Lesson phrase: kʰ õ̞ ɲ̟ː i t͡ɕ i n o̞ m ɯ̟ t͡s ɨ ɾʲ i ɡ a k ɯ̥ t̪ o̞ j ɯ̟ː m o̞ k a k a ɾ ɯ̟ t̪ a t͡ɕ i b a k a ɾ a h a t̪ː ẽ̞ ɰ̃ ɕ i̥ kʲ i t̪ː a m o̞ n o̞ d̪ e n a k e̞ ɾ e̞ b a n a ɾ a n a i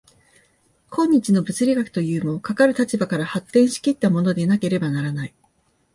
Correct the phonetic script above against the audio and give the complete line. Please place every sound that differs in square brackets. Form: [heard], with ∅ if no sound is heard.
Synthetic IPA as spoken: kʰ õ̞ ɲ̟ː i t͡ɕ i n o̞ [b] ɯ̟ t͡s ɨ ɾʲ i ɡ a k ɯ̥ t̪ o̞ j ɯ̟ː m o̞ k a k a ɾ ɯ̟ t̪ a t͡ɕ i b a k a ɾ a h a t̪ː ẽ̞ ɰ̃ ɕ i̥ kʲ i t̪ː a m o̞ n o̞ d̪ e n a k e̞ ɾ e̞ b a n a ɾ a n a i